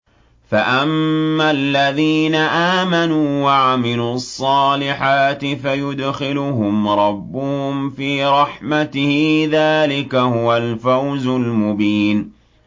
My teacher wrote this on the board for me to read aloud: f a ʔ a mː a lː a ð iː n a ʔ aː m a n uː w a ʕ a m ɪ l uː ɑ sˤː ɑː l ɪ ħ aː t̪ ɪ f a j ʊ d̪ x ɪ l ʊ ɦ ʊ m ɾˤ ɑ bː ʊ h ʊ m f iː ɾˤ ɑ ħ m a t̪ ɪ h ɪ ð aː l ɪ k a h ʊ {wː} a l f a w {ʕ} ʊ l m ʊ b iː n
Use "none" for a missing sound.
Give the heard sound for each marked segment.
w, z

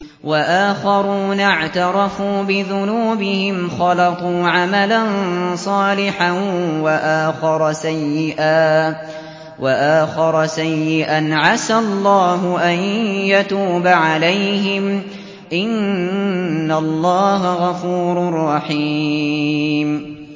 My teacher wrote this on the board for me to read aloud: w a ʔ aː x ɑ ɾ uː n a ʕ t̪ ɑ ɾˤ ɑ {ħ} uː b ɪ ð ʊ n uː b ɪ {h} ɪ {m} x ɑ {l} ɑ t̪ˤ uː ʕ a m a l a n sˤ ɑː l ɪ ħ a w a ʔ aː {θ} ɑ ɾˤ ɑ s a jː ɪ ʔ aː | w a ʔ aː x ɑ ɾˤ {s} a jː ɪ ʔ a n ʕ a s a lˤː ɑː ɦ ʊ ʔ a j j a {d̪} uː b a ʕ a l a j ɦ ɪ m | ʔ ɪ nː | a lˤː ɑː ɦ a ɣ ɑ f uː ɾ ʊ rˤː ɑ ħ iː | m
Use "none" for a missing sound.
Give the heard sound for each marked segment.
f, h, m, l, x, s, t̪

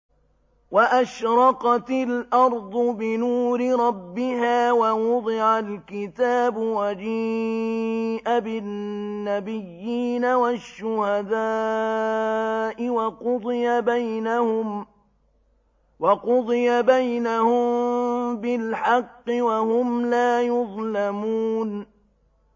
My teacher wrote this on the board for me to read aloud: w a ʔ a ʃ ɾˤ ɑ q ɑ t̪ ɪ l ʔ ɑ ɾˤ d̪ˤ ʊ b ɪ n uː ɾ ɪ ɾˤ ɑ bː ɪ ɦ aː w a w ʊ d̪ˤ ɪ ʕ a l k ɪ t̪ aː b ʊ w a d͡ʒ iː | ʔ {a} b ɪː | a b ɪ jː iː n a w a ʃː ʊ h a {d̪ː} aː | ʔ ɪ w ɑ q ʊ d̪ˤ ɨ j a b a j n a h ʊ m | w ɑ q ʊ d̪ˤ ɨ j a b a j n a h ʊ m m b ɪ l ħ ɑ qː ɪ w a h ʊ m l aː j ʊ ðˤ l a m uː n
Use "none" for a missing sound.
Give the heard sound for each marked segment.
a, d̪

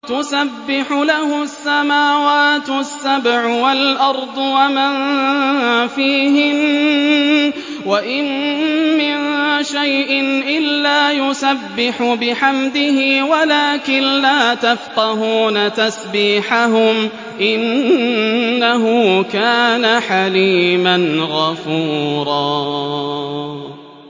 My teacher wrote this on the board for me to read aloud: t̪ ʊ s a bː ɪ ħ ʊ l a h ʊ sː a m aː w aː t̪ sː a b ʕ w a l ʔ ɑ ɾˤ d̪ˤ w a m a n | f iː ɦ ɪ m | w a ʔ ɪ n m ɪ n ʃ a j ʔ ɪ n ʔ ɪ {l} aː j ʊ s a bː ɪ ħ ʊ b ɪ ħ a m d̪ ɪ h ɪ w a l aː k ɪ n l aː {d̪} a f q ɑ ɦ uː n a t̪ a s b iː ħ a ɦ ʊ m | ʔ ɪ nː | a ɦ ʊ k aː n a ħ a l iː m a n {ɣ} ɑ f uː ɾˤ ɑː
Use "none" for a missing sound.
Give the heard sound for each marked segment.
lː, t̪, ɣ

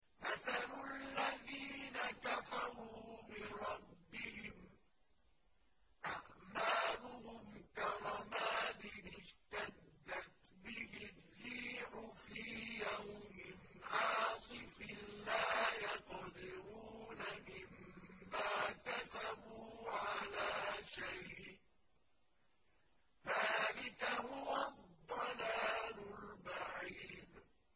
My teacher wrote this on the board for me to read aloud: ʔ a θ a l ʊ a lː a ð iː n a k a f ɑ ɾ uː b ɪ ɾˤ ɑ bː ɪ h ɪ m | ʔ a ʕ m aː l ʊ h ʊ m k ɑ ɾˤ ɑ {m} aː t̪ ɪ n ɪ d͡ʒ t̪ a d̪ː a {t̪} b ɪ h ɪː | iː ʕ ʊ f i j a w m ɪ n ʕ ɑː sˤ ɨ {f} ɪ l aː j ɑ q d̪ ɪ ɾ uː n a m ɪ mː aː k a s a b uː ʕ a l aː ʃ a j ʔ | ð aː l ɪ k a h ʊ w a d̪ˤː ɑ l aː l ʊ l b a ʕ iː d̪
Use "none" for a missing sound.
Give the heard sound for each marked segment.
m, t̪, f

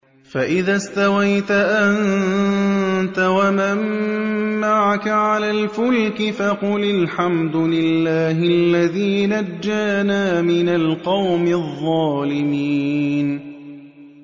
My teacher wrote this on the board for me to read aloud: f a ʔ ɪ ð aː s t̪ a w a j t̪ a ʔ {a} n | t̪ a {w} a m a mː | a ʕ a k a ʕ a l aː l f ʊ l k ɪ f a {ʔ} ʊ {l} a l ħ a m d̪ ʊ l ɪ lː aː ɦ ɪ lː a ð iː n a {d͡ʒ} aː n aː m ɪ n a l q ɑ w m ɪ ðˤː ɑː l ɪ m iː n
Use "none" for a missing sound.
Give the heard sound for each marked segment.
a, w, q, l, d͡ʒː

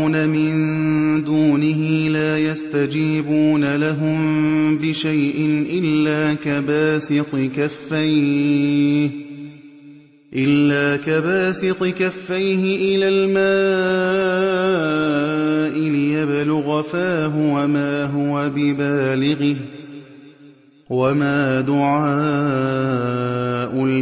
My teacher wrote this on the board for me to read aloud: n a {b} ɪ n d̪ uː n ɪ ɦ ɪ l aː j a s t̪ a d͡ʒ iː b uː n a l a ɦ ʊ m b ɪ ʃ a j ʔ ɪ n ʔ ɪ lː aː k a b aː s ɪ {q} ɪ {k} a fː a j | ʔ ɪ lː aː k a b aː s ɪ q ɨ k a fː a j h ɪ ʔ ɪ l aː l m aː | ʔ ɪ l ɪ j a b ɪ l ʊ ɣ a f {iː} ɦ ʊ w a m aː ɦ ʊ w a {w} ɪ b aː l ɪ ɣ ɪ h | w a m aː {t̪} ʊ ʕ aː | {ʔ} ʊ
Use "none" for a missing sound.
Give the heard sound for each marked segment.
m, q, k, aː, b, d̪, ʔ

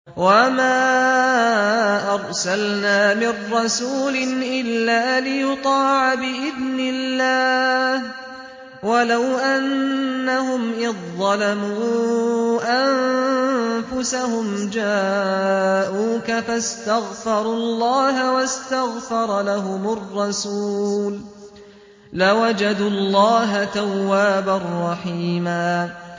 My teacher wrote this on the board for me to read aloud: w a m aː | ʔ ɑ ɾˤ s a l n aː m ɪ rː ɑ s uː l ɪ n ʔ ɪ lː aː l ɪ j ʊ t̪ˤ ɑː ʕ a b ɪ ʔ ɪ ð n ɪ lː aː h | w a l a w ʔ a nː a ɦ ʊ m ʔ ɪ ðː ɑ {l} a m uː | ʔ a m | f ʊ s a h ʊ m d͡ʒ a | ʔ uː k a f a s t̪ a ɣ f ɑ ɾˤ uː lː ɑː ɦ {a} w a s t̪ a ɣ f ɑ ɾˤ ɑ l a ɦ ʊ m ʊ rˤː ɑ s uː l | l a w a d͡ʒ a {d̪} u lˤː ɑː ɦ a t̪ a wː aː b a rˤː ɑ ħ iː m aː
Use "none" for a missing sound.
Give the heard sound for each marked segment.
l, a, d̪

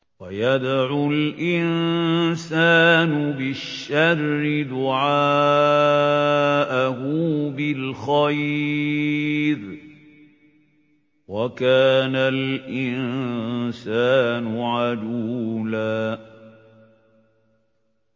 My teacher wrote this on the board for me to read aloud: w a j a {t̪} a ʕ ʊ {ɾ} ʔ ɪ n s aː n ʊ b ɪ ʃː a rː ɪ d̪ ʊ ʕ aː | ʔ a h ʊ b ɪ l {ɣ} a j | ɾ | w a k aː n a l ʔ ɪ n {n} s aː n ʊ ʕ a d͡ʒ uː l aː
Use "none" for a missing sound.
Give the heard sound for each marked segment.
d̪, l, x, n

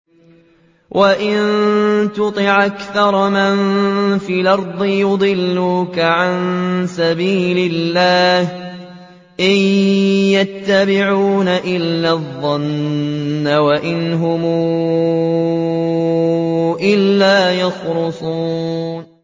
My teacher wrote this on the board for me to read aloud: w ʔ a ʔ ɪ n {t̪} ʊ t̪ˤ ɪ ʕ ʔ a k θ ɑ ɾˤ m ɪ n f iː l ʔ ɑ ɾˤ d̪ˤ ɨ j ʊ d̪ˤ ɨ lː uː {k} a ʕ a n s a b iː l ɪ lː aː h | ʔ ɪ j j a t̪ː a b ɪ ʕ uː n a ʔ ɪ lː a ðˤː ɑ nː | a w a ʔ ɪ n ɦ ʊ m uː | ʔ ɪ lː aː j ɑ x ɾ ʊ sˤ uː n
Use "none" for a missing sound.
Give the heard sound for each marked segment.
t̪, k

